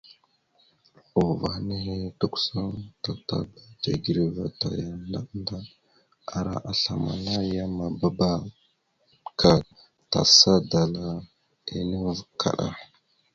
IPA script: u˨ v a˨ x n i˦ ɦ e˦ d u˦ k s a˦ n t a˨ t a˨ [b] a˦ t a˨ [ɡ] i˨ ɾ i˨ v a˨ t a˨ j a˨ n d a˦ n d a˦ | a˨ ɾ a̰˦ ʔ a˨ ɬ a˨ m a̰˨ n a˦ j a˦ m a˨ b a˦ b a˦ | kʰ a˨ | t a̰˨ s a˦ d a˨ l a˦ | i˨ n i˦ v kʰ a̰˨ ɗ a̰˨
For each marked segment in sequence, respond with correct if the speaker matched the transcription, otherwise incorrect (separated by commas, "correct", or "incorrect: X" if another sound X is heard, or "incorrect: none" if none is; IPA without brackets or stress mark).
correct, correct